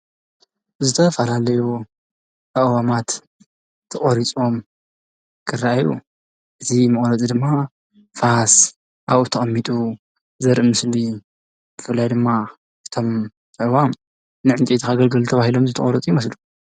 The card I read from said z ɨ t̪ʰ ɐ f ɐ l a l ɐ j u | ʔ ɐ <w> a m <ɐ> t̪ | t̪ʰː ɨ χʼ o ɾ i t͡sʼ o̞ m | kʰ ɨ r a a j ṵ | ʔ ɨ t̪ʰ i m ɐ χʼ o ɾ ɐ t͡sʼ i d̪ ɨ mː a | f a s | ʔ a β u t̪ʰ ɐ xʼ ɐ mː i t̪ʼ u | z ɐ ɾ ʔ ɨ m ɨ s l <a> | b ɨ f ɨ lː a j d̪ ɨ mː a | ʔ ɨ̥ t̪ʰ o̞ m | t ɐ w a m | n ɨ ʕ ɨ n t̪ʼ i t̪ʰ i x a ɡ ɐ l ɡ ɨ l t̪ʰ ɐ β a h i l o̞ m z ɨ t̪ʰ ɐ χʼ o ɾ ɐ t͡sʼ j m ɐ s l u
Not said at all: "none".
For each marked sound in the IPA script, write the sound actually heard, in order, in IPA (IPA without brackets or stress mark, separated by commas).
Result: w, a, i